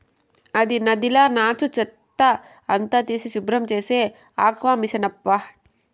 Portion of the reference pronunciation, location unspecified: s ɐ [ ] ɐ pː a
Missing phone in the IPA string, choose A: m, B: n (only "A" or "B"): B